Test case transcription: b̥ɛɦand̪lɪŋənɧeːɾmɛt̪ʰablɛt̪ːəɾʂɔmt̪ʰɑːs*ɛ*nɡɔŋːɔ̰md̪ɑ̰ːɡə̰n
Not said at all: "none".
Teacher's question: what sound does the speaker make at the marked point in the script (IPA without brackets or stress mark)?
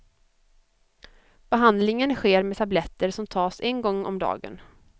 ɛ